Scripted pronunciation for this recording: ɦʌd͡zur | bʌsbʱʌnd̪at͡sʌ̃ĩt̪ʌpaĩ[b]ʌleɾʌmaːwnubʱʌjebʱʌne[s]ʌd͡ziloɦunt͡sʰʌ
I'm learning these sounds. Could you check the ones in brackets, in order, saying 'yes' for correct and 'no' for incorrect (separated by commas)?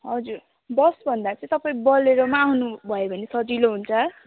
yes, yes